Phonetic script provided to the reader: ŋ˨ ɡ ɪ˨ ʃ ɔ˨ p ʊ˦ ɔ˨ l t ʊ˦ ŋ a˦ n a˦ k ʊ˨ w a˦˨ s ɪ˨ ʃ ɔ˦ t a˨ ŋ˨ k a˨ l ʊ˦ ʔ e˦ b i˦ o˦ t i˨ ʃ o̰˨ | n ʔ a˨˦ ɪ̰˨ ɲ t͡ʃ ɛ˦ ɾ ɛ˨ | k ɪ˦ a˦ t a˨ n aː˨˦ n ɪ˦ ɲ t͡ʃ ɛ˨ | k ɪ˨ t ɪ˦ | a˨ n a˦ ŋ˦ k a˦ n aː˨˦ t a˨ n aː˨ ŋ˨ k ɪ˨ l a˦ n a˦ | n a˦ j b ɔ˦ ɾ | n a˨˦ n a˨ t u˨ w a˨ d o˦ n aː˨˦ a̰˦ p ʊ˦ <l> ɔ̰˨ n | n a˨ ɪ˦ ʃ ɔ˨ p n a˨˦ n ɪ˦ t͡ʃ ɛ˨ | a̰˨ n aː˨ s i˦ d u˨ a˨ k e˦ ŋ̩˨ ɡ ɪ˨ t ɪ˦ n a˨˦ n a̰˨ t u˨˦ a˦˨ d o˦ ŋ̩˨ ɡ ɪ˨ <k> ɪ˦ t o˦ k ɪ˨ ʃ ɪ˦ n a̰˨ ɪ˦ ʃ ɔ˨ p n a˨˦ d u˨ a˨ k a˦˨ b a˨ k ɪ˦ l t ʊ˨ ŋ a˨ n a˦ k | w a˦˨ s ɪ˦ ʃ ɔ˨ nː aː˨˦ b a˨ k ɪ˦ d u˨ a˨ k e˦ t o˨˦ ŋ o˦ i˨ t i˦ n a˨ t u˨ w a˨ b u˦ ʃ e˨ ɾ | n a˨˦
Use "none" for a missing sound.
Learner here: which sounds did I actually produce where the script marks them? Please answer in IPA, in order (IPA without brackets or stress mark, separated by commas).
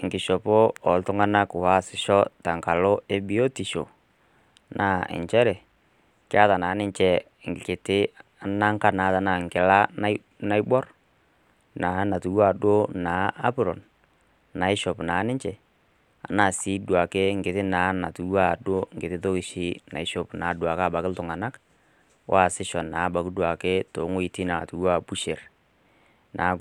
ɾ, t